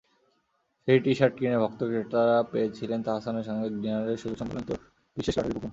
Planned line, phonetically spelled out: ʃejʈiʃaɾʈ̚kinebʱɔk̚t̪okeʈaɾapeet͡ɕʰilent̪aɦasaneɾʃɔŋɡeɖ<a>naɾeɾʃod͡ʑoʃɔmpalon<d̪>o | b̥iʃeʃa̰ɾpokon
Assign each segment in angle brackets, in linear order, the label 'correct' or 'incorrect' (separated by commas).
incorrect, incorrect